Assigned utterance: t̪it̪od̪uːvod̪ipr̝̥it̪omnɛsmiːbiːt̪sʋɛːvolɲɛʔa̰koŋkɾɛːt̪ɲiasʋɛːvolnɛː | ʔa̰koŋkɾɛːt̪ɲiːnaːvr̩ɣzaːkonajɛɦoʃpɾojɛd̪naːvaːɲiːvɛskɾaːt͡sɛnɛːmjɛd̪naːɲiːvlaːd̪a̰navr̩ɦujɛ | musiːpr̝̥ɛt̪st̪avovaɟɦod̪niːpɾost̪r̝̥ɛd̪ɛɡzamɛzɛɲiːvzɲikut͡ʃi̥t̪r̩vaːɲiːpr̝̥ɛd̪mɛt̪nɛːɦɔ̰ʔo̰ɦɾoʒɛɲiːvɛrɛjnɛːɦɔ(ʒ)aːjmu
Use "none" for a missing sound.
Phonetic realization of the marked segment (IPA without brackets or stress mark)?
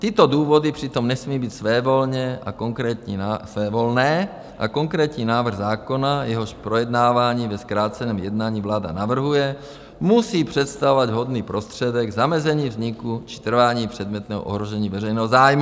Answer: z